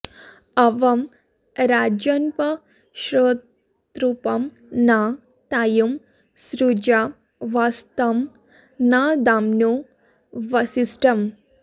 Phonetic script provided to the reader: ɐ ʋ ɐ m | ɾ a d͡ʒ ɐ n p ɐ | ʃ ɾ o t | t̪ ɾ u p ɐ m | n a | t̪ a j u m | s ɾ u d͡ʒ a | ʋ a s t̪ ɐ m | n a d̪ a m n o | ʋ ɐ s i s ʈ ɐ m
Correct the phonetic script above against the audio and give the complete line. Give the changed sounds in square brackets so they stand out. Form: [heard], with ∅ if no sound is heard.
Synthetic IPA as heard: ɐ ʋ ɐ m | ɾ a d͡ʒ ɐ n p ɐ | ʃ ɾ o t | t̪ ɾ u p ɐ m | n a | t̪ a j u m | s ɾ u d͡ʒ a | ʋ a s t̪ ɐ m | n a d̪ a m n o | ʋ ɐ s i s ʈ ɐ m